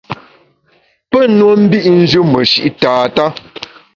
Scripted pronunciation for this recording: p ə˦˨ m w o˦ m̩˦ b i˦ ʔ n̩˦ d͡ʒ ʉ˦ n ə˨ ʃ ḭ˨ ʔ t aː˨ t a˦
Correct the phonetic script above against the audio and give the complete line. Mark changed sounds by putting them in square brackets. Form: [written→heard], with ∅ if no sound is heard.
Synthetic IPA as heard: p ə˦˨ [m→n] w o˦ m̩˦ b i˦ ʔ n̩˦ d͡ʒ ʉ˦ [n→m] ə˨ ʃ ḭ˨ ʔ t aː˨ t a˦